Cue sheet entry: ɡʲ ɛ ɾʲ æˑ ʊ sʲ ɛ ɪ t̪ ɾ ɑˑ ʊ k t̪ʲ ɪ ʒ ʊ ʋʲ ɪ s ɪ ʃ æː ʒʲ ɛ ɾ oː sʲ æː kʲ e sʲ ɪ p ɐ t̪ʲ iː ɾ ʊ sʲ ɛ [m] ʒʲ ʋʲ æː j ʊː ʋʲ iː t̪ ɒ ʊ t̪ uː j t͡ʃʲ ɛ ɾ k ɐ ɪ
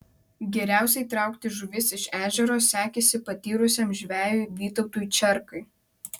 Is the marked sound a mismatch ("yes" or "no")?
no